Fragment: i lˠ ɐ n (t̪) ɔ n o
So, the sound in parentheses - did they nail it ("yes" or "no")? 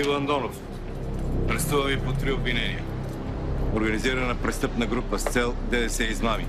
no